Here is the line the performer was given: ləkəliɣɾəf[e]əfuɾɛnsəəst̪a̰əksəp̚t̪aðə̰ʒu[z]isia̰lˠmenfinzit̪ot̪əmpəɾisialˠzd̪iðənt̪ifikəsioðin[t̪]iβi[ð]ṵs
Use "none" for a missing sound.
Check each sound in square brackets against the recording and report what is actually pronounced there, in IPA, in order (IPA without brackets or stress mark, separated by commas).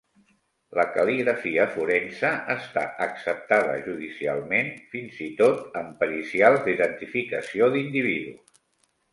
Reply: i, ð, d̪, ð